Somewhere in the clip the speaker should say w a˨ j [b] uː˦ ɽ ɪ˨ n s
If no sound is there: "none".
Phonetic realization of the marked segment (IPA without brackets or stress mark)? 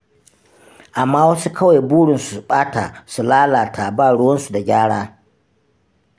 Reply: b